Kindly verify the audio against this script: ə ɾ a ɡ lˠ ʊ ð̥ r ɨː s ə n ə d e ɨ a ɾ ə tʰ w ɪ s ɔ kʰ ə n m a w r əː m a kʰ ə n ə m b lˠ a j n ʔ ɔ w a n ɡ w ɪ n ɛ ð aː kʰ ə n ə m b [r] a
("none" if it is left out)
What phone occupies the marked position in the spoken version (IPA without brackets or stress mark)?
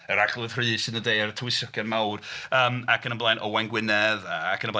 l